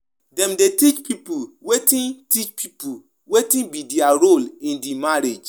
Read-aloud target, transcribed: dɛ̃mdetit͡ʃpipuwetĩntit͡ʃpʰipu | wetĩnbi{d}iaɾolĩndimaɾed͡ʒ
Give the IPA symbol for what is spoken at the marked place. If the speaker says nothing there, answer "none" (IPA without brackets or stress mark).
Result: d